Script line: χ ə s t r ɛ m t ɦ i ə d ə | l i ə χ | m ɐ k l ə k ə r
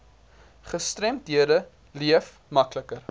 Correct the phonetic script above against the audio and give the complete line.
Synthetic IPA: χ ə s t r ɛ m t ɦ i ə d ə | l i ə f | m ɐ k l ə k ə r